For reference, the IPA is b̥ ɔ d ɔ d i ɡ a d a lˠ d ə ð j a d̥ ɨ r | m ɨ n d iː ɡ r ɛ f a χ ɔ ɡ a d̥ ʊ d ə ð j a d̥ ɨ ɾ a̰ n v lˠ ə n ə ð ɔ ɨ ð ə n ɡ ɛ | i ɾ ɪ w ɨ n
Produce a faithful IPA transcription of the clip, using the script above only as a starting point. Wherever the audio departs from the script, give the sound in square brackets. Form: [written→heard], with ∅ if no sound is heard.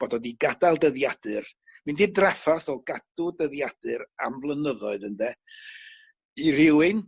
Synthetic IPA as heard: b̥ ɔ d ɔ d i ɡ a d a lˠ d ə ð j a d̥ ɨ r | m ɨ n d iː [ɡ→d] r ɛ f a [χ→θ] ɔ ɡ a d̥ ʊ d ə ð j a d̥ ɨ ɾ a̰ [n→m] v lˠ ə n ə ð ɔ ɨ ð ə n [ɡ→d] ɛ | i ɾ ɪ w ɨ n